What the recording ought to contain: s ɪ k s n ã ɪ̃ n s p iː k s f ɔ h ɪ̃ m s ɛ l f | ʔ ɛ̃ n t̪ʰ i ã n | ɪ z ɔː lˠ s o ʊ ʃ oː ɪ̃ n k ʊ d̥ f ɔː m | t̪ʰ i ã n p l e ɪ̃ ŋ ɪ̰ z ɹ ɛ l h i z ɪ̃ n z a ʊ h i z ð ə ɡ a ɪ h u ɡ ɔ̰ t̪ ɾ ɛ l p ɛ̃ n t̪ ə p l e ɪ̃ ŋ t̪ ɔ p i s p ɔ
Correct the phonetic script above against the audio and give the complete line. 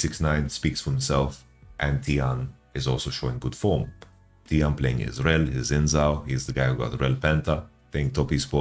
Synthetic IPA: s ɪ k s n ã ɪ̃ n s p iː k s f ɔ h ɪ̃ m s ɛ l f | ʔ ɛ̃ n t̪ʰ i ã n | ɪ z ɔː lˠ s o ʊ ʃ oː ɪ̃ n ɡ ʊ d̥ f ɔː m | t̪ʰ i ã n p l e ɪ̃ ŋ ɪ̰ z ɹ ɛ l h i z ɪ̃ n z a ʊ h i z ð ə ɡ a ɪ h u ɡ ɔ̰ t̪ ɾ ɛ l p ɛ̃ n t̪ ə p l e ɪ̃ ŋ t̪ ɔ p i s p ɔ